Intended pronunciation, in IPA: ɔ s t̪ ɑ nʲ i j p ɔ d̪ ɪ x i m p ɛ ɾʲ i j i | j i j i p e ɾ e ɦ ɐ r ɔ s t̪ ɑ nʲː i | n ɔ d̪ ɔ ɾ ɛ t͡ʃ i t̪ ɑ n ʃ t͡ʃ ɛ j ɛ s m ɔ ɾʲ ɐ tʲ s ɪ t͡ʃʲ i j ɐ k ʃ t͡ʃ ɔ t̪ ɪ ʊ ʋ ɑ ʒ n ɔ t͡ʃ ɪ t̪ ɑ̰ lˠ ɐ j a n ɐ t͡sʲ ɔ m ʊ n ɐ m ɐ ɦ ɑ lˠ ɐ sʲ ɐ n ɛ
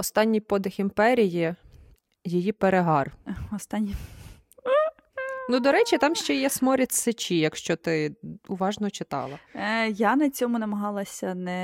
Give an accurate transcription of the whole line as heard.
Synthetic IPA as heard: ɔ s t̪ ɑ nʲː i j p ɔ d̪ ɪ x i m p ɛ ɾʲ i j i | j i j i p e ɾ e ɦ ɑ r ɔ s t̪ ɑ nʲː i | n u d̪ ɔ ɾ ɛ t͡ʃ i t̪ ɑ m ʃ t͡ʃ ɛ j ɛ s m ɔ ɾʲ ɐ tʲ s ɪ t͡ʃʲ i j ɐ k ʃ t͡ʃ ɔ t̪ ɪ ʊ ʋ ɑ ʒ n ɔ t͡ʃ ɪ t̪ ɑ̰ lˠ ɐ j a n ɐ t͡sʲ ɔ m ʊ n ɐ m ɐ ɦ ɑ lˠ ɐ sʲ ɐ n ɛ